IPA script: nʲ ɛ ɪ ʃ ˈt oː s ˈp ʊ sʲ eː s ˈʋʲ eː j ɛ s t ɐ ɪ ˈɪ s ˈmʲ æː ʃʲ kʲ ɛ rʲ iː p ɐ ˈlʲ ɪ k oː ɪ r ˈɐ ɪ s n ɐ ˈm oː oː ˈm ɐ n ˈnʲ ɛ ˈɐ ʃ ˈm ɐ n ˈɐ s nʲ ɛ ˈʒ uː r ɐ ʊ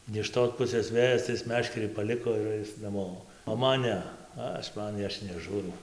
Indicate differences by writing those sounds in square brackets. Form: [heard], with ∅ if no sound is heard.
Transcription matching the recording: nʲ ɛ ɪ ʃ ˈt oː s ˈp ʊ sʲ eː s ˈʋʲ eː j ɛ s t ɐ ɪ ˈɪ s ˈmʲ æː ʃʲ kʲ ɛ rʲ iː p ɐ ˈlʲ ɪ k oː ɪ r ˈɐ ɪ s n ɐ ˈm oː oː ˈm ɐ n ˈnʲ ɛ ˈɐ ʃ ˈm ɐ n ˈɐ [ʃ] nʲ ɛ ˈʒ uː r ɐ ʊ